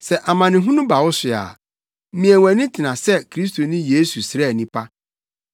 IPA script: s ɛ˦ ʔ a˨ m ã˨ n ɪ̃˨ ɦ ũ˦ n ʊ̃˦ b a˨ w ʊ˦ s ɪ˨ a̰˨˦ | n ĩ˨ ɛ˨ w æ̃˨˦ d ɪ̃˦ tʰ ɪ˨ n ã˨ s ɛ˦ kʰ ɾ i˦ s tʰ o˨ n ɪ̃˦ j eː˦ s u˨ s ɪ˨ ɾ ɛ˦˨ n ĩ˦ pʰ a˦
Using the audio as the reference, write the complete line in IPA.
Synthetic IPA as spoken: s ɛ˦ ʔ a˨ m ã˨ n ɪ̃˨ ɦ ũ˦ n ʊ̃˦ b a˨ w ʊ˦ s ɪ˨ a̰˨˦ | m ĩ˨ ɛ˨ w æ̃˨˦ n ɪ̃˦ tʰ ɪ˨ n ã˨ s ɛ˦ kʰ ɾ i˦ s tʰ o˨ n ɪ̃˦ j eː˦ s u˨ s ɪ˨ ɾ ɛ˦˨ n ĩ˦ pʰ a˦